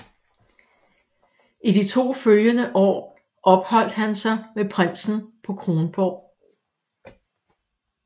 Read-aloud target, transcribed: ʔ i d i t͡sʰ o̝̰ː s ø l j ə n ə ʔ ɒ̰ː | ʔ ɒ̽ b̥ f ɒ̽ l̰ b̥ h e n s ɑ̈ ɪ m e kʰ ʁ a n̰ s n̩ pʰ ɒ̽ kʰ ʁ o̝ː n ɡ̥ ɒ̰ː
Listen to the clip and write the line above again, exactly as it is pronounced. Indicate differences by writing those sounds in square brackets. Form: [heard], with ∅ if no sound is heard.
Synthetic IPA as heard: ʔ i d i t͡sʰ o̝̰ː [f] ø l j ə n ə ʔ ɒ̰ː | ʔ ɒ̽ b̥ [h] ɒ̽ l̰ [d̥] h [æ] n s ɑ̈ ɪ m e [pʰ] ʁ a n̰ s n̩ pʰ ɒ̽ kʰ ʁ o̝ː n [b̥] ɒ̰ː

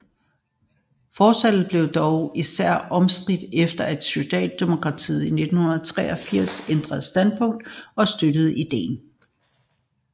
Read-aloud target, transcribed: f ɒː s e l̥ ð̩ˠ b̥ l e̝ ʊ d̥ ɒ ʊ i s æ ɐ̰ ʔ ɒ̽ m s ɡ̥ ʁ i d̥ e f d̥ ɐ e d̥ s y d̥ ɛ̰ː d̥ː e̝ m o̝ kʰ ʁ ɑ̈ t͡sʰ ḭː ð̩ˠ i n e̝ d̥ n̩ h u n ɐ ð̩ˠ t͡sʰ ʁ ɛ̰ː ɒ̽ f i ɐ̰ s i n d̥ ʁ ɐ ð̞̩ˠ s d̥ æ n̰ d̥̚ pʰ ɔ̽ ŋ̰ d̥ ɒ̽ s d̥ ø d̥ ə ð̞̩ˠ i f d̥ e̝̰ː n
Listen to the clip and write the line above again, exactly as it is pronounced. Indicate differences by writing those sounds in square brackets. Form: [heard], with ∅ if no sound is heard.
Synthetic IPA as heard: f ɒː s [æ] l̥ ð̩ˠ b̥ l e̝ ʊ d̥ ɒ ʊ i s æ ɐ̰ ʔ ɒ̽ m s [d̥] ʁ i d̥ e f d̥ ɐ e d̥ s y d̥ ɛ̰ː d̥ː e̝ m o̝ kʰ ʁ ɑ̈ t͡sʰ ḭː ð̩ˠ i n e̝ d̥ n̩ h u n ɐ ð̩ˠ t͡sʰ ʁ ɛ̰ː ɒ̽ f i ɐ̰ s [e] n d̥ ʁ ɐ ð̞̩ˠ s d̥ æ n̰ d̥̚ pʰ ɔ̽ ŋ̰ d̥ ɒ̽ s d̥ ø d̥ ə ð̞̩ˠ i [∅] d̥ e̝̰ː n

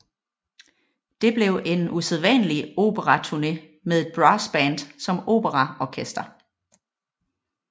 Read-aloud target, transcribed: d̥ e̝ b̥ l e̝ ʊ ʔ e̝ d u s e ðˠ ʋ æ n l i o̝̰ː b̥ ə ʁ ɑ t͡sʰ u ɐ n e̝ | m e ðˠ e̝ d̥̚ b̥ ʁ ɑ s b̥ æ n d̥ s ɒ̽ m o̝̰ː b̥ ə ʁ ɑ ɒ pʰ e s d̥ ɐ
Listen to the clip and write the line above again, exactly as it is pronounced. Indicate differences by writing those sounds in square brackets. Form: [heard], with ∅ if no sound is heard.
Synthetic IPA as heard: d̥ e̝ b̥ l e̝ ʊ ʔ e̝ [n] u s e ðˠ ʋ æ n l i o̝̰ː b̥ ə ʁ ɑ t͡sʰ u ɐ n e̝ | m e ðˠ e̝ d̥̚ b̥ ʁ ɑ s b̥ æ n d̥ s ɒ̽ m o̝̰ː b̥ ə ʁ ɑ ɒ [kʰ] e s d̥ ɐ

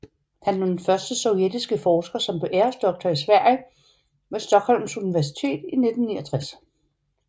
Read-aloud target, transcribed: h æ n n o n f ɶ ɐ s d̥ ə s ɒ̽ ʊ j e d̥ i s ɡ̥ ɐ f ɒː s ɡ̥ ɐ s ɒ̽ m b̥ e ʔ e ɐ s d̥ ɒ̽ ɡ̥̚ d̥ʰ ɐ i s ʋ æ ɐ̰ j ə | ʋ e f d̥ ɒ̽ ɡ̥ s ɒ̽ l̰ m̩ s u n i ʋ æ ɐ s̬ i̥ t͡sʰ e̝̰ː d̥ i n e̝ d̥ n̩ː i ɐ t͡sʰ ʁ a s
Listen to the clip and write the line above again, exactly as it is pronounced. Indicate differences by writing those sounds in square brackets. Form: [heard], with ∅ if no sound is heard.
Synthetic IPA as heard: h æ n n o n f ɶ ɐ s d̥ ə s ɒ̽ ʊ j e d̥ i s ɡ̥ [ə] f ɒː s ɡ̥ ɐ s ɒ̽ m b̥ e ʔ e ɐ s d̥ ɒ̽ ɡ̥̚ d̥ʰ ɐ i s ʋ æ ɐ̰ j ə | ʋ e [s] d̥ ɒ̽ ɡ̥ [h] ɒ̽ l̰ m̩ s u n i ʋ æ ɐ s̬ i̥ t͡sʰ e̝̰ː d̥ i n e̝ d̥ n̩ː i ɐ t͡sʰ ʁ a s

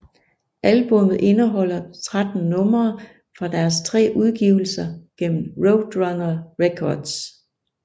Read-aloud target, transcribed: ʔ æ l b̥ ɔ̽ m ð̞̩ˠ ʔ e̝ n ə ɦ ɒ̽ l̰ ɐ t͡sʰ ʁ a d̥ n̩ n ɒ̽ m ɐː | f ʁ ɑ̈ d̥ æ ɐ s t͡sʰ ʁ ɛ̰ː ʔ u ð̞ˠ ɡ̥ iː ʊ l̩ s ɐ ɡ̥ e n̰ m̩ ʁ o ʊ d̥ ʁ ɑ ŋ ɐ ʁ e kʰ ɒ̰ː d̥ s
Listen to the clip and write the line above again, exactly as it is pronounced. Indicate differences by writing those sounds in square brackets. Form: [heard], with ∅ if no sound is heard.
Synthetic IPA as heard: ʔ æ l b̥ ɔ̽ m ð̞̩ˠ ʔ e̝ n ə ɦ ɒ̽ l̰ ɐ t͡sʰ ʁ a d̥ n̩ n [ɔ̽] m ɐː | f ʁ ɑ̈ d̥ æ ɐ s t͡sʰ ʁ ɛ̰ː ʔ u ð̞ˠ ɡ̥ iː ʊ l̩ s ɐ ɡ̥ e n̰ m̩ ʁ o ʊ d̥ ʁ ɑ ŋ ɐ ʁ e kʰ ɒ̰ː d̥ s

